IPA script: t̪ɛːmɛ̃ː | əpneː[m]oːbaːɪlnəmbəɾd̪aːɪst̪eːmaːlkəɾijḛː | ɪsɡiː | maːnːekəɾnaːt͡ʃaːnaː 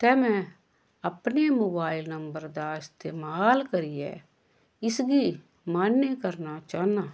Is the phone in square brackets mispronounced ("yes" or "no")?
no